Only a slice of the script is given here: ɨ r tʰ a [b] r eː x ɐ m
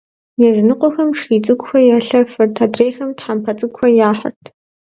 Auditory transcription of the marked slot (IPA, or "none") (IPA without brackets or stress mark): d